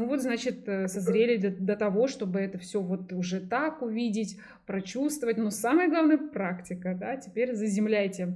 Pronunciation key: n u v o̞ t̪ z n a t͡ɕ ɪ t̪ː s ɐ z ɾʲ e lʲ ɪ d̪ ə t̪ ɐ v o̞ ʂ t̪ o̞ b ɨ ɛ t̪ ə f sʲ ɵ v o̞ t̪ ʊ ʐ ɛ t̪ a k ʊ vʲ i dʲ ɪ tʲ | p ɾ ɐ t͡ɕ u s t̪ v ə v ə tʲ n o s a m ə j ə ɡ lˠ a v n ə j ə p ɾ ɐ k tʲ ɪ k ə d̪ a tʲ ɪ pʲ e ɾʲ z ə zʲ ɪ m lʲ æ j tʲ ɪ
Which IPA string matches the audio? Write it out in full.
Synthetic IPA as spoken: n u v o̞ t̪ z n a t͡ɕ ɪ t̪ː s ɐ z ɾʲ e lʲ ɪ d̪ ə t̪ ɐ v o̞ ʂ t̪ o̞ b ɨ ɛ t̪ ə f sʲ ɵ v o̞ t̪ ʊ ʐ ɛ t̪ a k ʊ vʲ i dʲ ɪ tʲ | p ɾ ɐ t͡ɕ u s t̪ v ə v ə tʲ n o s a m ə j ə ɡ lˠ a v n ə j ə p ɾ a k tʲ ɪ k ə d̪ a tʲ ɪ pʲ e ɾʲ z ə zʲ ɪ m lʲ æ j tʲ ɪ